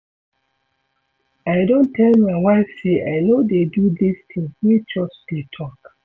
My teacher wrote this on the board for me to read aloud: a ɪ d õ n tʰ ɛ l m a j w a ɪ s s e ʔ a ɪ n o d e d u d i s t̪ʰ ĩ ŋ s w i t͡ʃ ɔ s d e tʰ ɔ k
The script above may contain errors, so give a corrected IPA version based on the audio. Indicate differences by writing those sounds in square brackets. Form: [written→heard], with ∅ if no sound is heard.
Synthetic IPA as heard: a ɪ d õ n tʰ ɛ l m a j w a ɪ [s→f] s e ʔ a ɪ n o d e d u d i s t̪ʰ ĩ ŋ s w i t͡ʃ ɔ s d e tʰ ɔ k